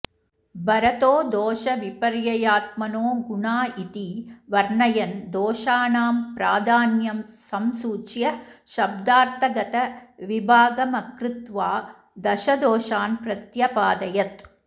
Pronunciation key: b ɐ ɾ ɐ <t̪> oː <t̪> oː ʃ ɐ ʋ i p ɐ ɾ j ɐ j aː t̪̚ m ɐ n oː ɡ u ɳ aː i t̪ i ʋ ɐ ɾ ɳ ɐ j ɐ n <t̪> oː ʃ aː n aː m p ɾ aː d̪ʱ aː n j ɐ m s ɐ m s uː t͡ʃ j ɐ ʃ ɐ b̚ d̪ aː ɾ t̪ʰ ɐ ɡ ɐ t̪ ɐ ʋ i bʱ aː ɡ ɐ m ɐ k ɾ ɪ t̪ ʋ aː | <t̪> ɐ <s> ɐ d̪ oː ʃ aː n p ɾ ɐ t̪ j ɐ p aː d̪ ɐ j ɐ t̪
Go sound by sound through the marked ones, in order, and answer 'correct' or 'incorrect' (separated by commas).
correct, incorrect, incorrect, incorrect, incorrect